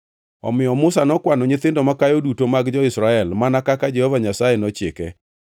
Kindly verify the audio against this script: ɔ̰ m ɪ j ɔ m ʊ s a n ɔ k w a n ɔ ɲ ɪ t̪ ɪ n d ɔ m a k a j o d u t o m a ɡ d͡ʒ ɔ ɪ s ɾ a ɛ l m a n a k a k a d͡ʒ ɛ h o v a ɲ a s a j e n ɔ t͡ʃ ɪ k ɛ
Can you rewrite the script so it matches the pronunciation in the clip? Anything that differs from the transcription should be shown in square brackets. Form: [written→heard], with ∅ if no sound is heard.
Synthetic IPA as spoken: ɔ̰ m ɪ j ɔ m ʊ s a n ɔ k w a n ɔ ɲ ɪ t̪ ɪ n d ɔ m a k a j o d u t o m a ɡ d͡ʒ ɔ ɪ s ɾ a ɛ l m a n a k a k a d͡ʒ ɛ h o v a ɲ a s a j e n ɔ t͡ʃ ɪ k ɛ

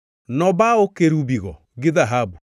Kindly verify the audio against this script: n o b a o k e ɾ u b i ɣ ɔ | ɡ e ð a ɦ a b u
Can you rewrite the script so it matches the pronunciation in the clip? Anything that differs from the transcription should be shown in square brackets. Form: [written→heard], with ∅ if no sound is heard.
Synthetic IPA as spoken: n [o→ɔ] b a o k e ɾ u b i ɣ ɔ | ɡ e ð a ɦ a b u

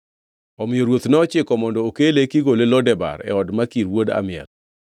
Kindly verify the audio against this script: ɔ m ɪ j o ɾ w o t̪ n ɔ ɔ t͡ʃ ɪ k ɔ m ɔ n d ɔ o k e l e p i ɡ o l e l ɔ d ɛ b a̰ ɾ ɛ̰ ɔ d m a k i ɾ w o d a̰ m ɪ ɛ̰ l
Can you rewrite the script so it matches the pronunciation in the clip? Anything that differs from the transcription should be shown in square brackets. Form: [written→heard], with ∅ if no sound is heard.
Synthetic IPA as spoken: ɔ m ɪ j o ɾ w o t̪ n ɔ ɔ t͡ʃ ɪ k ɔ m ɔ n d ɔ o k e l e [p→k] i ɡ o l e l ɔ d ɛ b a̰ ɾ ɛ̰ ɔ d m a k i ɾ w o d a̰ m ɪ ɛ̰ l

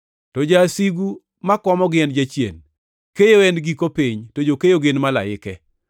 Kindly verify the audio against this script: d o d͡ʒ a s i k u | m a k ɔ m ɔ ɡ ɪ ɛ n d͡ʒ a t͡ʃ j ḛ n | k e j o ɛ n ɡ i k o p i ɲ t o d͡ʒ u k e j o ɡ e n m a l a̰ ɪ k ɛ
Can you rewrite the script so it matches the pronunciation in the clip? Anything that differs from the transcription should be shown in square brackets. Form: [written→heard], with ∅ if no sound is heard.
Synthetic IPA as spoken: [d→t] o d͡ʒ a s i [k→ɡ] u | m a k ɔ m ɔ ɡ ɪ ɛ n d͡ʒ a t͡ʃ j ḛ n | k e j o ɛ n ɡ i k o p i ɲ t o d͡ʒ [u→o] k e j o ɡ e n m a l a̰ ɪ k ɛ

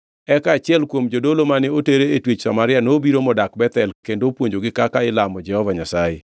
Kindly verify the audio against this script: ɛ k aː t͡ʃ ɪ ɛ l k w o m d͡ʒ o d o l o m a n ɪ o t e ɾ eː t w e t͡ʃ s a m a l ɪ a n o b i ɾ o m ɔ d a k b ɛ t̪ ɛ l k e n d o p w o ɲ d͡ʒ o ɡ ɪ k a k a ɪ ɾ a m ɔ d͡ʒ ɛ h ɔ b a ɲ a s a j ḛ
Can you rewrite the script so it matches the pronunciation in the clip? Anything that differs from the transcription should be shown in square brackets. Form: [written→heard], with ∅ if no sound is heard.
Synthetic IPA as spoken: ɛ k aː t͡ʃ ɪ ɛ l k w o m d͡ʒ o d o l o m a n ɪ o t e ɾ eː t w e t͡ʃ s a m a [l→ɾ] ɪ a n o b i ɾ o m ɔ d a k b ɛ t̪ ɛ l k e n d o p w o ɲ d͡ʒ o ɡ ɪ k a k a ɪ [ɾ→l] a m ɔ d͡ʒ ɛ h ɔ [b→v] a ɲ a s a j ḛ

